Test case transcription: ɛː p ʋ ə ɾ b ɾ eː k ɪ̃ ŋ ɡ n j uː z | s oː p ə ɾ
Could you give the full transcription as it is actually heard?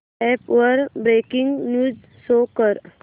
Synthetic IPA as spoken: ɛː p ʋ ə ɾ b ɾ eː k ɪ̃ ŋ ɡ n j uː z | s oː k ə ɾ

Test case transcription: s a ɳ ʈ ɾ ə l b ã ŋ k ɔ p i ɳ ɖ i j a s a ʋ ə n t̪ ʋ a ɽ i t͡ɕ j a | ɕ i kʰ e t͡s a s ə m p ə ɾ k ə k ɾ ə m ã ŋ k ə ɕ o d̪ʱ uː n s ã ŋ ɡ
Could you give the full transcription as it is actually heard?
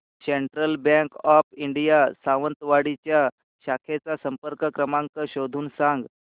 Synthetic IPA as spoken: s e ɳ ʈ ɾ ə l b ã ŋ k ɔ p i ɳ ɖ i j a s a ʋ ə n t̪ ʋ a ɽ i t͡ɕ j a | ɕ a kʰ e t͡s a s ə m p ə ɾ k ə k ɾ ə m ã ŋ k ə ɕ o d̪ʱ uː n s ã ŋ ɡ

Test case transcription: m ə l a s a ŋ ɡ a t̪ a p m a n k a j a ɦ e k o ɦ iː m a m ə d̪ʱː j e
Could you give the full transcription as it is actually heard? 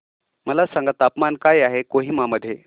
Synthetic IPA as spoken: m ə l a s a ŋ ɡ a t̪ a p m a n k a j a ɦ e k o ɦ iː m a m ə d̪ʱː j e

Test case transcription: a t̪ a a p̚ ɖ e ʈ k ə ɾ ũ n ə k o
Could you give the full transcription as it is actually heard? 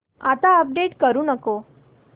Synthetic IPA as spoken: a t̪ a ə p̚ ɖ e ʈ k ə ɾ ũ n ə k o

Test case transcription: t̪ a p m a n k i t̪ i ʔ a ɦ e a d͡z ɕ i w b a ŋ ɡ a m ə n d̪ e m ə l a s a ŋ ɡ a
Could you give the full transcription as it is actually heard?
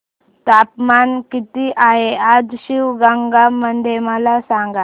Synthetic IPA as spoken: t̪ a p m a n k i t̪ i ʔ a ɦ e a d͡z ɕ i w ɡ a ŋ ɡ a m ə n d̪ e m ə l a s a ŋ ɡ a

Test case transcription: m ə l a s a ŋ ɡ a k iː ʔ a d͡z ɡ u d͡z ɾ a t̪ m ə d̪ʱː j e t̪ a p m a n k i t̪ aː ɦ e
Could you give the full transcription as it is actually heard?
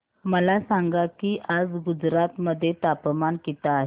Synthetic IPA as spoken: m ə l a s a ŋ ɡ a k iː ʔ a d͡z ɡ u d͡z ɾ a t̪ m ə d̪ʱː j e t̪ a p m a n k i t̪ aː ɦ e

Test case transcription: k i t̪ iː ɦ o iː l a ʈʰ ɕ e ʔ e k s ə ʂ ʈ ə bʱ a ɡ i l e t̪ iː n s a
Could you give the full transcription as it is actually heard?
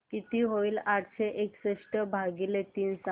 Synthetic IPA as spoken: k i t̪ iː ɦ o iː l a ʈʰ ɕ e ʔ e k s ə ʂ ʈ ə bʱ a ɡ i l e t̪ iː n s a

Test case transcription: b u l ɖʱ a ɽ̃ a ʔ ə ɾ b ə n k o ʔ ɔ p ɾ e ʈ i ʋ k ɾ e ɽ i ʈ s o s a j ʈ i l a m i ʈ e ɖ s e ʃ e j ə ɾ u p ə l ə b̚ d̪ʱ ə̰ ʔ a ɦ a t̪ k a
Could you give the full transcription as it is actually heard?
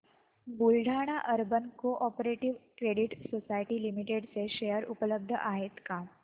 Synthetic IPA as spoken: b u l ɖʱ a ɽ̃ a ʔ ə ɾ b ə n k o ʔ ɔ p ɾ e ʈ i ʋ k ɾ e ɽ i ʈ s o s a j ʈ i l i m i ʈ e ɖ s e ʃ e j ə ɾ u p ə l ə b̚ d̪ʱ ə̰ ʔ a ɦ e t̪ k a

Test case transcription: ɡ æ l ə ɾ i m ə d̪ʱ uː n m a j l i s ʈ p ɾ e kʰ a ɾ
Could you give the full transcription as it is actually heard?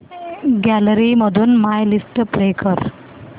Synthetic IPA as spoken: ɡ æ l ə ɾ i m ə d̪ʱ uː n m a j l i s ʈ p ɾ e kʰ ə ɾ

